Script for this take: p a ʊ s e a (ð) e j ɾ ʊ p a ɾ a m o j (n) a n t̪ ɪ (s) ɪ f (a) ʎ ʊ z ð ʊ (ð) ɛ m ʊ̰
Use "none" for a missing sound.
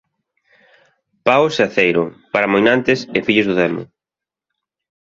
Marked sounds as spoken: θ, n, s, i, ð

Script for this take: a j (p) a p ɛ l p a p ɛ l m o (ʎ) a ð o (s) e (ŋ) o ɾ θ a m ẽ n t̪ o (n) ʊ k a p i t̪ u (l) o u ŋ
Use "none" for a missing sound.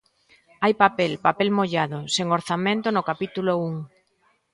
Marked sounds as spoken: p, ʎ, s, ŋ, n, l

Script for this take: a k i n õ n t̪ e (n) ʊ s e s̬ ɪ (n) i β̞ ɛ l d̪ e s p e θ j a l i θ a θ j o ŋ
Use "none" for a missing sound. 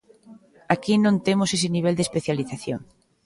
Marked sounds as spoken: m, n

